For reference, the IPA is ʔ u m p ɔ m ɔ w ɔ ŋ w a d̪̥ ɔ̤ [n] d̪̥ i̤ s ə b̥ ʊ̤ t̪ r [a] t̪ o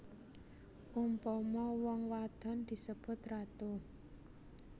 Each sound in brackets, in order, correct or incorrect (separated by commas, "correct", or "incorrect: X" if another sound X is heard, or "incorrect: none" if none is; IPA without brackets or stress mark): correct, correct